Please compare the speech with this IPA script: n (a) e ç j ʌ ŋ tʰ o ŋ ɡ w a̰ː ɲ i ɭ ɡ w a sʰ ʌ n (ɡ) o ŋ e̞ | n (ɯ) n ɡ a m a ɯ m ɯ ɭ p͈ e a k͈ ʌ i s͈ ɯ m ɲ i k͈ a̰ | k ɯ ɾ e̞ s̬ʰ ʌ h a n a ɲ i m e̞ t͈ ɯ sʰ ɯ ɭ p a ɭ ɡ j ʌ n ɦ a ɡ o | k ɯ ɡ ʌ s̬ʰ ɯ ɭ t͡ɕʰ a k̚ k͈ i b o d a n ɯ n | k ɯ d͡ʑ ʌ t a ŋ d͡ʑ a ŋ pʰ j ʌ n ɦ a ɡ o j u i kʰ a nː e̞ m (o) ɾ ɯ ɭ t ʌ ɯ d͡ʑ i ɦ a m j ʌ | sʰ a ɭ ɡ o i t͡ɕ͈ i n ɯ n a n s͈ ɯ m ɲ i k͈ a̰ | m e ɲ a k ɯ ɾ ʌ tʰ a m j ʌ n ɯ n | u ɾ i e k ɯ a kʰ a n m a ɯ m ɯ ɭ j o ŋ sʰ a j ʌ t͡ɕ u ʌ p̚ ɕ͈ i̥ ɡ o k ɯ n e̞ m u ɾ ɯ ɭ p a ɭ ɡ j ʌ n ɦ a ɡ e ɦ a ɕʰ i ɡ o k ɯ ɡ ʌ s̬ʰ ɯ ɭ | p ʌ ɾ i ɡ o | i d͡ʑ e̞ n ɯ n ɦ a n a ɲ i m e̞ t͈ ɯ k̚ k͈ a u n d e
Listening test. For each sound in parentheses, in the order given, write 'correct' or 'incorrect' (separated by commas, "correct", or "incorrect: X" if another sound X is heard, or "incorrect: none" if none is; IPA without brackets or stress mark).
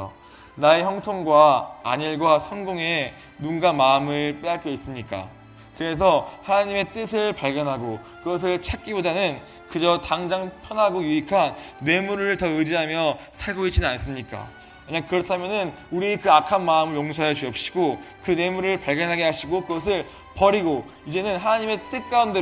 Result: correct, correct, incorrect: u, incorrect: u